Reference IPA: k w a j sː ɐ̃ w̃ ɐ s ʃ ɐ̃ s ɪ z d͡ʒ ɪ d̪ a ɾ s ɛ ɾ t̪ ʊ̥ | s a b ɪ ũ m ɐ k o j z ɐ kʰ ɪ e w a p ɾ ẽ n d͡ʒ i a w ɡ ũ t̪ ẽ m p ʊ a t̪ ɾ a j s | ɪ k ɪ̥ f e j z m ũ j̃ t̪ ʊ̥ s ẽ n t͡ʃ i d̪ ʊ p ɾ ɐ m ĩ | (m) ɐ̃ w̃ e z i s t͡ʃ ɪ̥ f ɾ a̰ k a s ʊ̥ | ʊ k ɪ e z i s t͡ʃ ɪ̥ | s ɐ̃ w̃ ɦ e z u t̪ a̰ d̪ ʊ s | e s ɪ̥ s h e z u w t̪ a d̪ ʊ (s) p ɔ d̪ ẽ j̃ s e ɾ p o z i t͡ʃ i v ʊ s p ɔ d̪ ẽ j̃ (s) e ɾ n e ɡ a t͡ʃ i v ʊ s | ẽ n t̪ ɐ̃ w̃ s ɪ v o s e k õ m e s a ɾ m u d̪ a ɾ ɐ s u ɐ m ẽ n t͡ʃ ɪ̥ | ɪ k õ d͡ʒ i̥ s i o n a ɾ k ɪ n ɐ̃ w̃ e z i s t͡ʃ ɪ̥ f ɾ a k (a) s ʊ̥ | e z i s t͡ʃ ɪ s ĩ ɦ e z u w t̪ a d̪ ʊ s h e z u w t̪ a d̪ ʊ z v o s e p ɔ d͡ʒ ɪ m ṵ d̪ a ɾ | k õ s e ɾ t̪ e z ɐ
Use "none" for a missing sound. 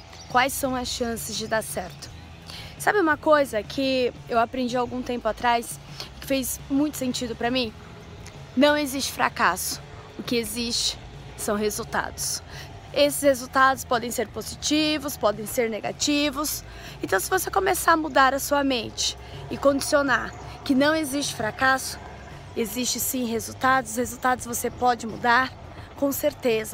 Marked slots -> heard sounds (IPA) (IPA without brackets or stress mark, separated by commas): n, s, s, a